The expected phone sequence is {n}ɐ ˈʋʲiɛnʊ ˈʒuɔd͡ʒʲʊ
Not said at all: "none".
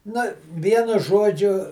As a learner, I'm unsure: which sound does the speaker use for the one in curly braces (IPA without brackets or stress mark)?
n